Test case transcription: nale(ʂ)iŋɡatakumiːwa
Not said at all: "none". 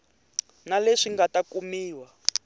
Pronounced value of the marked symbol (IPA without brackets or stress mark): ʂ